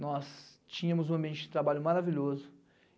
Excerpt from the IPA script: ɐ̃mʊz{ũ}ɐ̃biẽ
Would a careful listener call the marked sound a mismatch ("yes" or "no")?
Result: no